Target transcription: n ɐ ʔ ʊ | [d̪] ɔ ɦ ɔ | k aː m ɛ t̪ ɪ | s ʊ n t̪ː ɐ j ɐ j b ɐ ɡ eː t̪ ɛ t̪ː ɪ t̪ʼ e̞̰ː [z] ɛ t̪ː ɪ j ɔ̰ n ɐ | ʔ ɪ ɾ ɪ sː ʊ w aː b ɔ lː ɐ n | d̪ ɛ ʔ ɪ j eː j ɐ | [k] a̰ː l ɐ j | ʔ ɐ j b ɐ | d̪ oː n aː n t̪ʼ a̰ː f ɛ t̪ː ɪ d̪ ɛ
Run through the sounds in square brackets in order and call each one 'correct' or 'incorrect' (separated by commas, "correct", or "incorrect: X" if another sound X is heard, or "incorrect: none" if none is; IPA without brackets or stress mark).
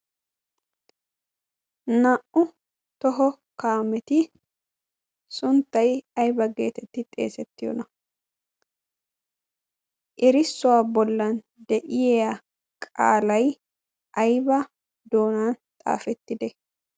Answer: incorrect: t̪, incorrect: s, incorrect: kʼ